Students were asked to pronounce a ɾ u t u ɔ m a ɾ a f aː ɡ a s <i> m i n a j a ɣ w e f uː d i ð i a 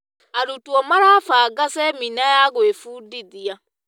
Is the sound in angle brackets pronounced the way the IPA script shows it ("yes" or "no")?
no